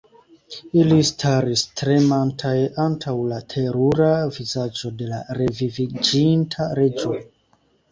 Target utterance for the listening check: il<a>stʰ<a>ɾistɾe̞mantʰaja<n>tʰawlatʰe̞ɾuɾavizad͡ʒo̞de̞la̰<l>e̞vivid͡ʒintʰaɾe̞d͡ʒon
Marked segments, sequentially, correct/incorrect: incorrect, correct, correct, incorrect

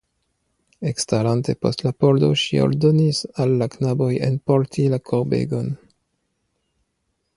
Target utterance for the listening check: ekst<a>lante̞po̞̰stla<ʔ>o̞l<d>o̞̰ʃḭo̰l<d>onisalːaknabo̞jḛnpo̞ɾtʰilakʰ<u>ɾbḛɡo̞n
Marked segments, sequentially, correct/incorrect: correct, incorrect, correct, correct, incorrect

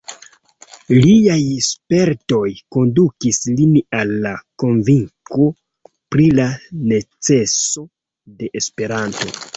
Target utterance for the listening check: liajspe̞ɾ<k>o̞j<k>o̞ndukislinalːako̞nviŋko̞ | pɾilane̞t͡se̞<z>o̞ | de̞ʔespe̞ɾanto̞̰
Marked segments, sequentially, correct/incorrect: incorrect, correct, incorrect

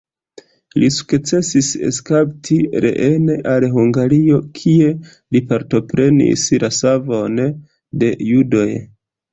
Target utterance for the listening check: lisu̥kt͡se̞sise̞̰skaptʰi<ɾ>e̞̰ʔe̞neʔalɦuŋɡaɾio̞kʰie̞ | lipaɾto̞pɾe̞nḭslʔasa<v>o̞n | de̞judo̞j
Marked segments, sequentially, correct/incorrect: correct, correct

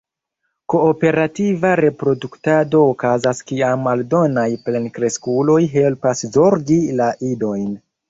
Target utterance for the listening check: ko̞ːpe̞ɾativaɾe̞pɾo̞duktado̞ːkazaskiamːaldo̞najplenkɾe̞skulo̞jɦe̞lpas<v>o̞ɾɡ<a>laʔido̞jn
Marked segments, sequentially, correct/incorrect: incorrect, incorrect

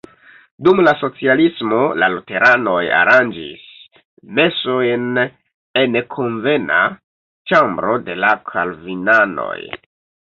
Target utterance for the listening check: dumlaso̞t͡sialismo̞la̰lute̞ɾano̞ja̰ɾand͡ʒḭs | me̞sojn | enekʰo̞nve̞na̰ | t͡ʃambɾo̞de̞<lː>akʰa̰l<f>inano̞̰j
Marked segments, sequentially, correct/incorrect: incorrect, incorrect

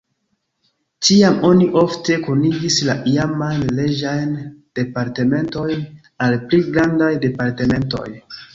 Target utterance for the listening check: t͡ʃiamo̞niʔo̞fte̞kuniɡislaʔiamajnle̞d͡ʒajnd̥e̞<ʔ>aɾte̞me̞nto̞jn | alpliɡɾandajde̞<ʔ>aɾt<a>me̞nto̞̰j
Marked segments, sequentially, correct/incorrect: incorrect, incorrect, incorrect

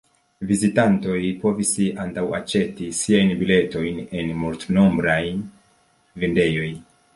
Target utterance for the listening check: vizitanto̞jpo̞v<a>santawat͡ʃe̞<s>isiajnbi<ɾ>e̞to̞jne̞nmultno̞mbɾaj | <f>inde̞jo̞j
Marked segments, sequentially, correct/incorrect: incorrect, incorrect, incorrect, incorrect

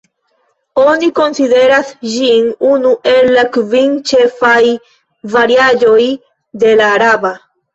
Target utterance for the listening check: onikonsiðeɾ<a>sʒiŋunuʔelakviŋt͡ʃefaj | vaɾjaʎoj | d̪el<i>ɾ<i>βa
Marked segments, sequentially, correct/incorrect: correct, incorrect, incorrect

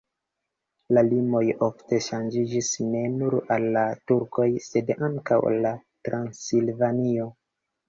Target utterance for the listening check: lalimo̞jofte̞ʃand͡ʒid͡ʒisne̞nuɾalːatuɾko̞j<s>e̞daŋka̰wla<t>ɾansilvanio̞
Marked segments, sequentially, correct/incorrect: correct, correct

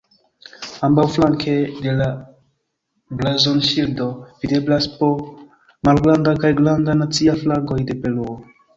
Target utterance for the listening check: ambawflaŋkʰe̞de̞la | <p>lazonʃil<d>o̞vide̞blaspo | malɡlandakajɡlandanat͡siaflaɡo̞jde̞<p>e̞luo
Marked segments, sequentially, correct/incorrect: incorrect, correct, correct

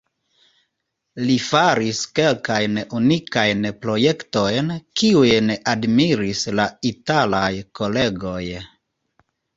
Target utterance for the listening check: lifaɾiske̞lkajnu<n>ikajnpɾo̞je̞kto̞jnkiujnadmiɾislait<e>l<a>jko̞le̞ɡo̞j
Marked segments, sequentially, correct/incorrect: correct, incorrect, correct

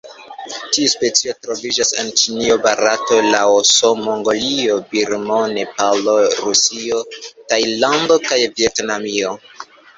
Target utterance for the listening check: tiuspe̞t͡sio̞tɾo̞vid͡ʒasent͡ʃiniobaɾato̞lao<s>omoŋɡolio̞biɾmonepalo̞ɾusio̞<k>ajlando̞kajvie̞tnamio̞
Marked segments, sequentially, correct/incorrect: correct, incorrect

